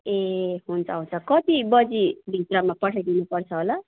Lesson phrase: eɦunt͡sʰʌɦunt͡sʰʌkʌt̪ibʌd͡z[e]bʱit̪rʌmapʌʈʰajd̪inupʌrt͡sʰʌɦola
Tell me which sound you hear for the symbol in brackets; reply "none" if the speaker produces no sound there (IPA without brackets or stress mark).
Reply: i